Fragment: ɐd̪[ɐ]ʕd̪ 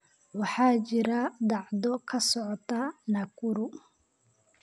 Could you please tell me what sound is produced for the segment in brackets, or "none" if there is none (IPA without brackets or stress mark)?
ɑ